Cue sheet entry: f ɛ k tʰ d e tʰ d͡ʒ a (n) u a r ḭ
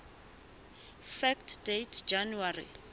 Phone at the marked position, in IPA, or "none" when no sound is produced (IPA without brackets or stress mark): n